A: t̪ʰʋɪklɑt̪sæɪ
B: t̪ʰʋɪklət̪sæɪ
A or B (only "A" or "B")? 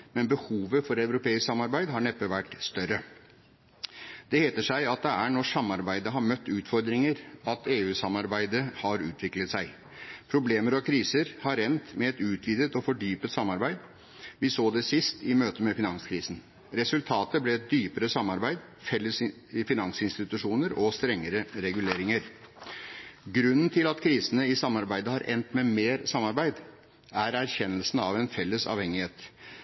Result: B